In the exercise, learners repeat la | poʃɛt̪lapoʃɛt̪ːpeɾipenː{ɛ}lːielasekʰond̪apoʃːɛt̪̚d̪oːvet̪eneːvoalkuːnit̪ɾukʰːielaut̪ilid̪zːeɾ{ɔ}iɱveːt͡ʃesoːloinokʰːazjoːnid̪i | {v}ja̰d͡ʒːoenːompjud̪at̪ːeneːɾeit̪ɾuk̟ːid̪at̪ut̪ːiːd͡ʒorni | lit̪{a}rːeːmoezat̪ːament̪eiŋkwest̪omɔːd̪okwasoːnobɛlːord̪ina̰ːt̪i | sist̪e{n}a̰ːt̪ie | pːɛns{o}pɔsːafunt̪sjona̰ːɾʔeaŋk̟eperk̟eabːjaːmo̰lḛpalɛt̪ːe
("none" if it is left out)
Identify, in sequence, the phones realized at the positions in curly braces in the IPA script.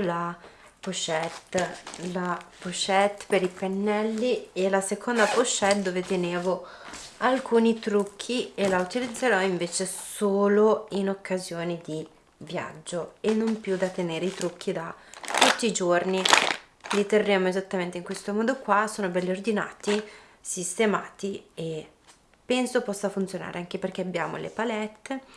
ɛ, ɔ, v, e, m, o

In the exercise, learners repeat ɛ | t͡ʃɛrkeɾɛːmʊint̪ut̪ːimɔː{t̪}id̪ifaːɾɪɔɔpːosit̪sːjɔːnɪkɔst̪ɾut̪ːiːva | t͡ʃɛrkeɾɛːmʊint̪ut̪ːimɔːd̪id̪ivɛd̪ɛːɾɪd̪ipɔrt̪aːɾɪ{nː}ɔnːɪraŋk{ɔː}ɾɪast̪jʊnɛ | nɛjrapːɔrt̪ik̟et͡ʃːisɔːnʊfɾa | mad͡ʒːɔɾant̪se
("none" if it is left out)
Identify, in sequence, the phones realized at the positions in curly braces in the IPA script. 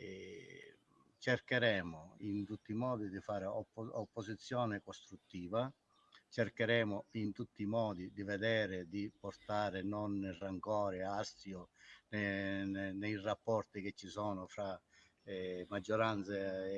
d̪, n, ɔː

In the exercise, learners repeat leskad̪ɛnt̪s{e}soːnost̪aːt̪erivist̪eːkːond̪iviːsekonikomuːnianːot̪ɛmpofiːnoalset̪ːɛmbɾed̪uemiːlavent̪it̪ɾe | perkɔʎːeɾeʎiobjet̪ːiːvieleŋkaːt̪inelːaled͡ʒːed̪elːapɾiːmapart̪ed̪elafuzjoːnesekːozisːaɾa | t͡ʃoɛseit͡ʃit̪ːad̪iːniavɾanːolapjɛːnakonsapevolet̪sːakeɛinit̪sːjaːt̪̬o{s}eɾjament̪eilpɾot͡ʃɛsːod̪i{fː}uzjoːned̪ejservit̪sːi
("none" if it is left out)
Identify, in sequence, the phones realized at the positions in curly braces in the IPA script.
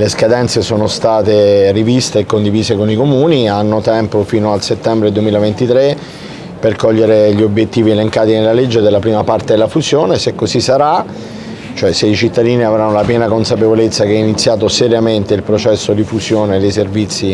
e, s, f

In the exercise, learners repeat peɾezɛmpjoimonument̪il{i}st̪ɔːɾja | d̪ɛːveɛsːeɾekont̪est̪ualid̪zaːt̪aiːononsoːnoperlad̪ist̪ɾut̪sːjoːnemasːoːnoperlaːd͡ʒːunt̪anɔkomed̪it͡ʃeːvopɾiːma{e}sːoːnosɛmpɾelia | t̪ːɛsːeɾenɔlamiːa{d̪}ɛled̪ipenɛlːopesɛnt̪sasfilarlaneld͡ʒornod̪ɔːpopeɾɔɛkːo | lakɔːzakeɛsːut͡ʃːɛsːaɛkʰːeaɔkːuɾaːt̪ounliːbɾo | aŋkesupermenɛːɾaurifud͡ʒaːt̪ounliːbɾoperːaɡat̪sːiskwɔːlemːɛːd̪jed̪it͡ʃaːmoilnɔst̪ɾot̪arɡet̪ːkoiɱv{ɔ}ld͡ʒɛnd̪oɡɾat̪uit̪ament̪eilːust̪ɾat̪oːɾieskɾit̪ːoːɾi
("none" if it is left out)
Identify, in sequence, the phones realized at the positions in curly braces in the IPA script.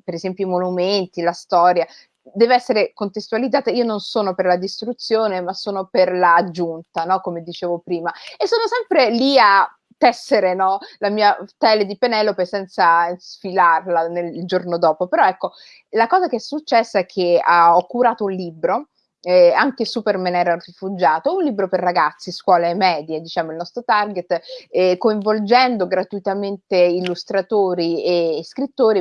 a, e, t̪, o

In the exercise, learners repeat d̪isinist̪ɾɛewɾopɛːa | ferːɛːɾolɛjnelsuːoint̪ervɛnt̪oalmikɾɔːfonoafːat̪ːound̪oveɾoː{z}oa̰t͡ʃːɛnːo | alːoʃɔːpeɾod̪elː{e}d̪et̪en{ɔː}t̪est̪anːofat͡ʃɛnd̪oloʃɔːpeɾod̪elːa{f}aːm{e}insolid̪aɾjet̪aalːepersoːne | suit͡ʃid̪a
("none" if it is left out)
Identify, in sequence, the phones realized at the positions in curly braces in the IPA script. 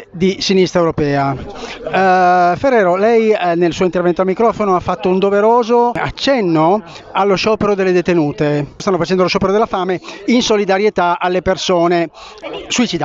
z, e, uː, f, e

